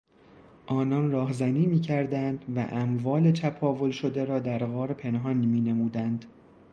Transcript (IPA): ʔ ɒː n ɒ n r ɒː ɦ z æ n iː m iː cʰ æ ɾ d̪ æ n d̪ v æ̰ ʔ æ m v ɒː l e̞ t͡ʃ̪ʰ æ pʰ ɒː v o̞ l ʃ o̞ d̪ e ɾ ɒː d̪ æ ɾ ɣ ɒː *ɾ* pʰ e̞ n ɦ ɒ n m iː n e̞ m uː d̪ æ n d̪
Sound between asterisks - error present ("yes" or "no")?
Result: no